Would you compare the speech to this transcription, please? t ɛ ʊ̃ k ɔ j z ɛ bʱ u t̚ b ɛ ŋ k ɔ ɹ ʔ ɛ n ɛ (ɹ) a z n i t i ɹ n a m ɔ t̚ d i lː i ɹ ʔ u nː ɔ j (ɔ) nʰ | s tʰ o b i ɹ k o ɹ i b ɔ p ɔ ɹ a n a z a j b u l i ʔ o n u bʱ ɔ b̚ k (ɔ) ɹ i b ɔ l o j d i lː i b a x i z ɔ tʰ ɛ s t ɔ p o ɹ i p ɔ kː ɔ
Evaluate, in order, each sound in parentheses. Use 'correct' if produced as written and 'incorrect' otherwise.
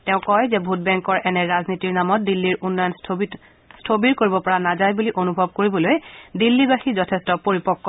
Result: correct, correct, incorrect: o

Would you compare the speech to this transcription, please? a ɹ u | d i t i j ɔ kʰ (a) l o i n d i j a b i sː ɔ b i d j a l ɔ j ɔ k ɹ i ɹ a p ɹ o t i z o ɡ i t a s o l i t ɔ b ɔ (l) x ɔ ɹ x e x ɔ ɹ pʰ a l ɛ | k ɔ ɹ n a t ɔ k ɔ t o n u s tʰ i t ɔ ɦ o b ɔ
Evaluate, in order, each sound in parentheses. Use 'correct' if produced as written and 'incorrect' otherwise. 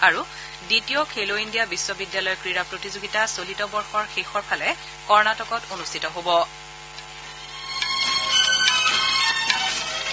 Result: incorrect: e, incorrect: ɹ

